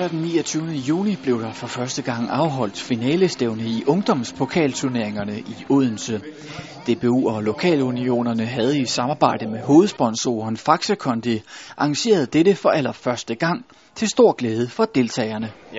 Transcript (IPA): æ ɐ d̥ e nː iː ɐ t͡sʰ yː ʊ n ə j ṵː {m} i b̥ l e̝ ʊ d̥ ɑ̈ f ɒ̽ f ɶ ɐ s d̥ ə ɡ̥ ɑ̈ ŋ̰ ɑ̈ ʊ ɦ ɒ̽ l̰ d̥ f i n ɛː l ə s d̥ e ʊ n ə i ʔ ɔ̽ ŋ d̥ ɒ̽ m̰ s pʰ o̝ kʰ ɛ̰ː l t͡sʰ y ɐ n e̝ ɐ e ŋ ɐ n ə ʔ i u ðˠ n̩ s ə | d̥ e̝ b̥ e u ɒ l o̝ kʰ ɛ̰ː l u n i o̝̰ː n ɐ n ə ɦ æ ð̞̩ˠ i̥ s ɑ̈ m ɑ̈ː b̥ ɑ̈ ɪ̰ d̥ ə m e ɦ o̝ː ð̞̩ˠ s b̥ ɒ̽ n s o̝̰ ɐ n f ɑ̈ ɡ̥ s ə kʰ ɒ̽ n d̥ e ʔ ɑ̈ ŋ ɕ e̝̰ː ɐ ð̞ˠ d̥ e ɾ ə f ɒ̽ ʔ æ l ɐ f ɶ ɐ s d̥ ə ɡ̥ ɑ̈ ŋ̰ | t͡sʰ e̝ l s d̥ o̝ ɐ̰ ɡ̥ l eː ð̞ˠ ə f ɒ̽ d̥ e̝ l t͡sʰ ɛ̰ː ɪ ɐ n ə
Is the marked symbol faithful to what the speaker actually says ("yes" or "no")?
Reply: no